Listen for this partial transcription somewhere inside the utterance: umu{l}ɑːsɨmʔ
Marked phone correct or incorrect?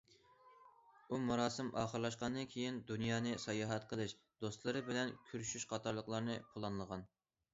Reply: incorrect